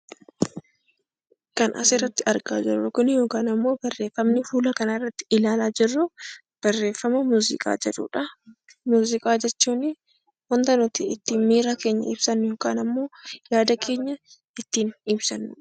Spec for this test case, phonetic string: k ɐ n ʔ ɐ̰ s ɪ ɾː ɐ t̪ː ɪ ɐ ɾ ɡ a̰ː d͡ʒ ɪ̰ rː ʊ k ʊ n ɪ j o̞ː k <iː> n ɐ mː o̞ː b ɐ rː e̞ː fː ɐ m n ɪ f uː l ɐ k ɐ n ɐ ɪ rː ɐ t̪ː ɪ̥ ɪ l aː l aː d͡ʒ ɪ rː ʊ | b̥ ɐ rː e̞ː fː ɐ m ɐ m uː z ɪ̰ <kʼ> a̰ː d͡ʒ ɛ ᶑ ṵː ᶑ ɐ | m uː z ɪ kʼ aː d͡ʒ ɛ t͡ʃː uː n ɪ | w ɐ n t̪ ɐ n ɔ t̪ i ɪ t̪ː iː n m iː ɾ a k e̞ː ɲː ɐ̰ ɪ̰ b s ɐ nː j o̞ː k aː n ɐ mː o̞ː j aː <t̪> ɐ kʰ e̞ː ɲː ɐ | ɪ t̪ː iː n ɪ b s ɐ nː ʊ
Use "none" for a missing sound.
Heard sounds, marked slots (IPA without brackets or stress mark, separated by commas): aː, kʼ, d̪